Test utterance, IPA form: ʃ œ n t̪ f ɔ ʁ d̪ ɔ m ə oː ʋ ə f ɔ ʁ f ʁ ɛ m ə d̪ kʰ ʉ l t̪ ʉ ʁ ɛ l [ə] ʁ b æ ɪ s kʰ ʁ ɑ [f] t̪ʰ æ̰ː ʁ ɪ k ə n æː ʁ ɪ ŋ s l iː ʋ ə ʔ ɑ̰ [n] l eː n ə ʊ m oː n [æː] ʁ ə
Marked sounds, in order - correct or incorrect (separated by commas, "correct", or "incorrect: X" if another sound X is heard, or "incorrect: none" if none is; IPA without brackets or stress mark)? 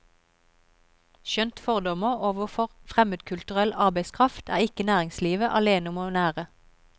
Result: incorrect: ɑ, correct, incorrect: none, correct